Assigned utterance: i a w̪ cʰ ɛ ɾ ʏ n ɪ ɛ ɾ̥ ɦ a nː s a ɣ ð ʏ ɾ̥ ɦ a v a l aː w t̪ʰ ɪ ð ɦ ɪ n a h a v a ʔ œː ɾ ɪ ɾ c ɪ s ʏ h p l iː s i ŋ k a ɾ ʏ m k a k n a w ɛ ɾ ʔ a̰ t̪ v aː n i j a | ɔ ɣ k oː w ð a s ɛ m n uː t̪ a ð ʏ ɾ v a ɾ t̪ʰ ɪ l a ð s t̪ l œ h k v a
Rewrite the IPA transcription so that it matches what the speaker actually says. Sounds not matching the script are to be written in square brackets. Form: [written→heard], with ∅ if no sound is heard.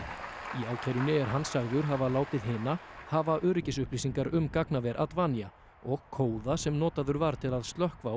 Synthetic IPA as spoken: i a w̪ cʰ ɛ ɾ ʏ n ɪ ɛ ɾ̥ ɦ a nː s a ɣ ð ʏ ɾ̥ ɦ a v a l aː w [t̪ʰ→t̪] ɪ ð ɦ ɪ n a h a v a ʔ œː ɾ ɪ [ɾ→∅] c ɪ s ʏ h p l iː s i ŋ k a ɾ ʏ m k a k n a [w→v] ɛ ɾ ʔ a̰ t̪ v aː n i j a | ɔ ɣ [k→kʰ] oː w ð a s ɛ m n [uː→ɔː] t̪ a ð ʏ ɾ v a ɾ t̪ʰ ɪ l a ð s t̪ l œ h k v a